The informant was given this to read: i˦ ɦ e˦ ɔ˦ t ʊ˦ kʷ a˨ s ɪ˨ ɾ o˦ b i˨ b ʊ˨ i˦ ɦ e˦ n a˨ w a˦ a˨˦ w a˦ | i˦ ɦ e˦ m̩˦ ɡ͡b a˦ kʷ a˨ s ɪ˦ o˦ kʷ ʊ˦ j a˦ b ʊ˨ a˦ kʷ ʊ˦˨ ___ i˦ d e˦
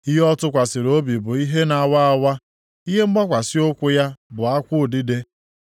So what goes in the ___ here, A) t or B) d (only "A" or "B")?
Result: B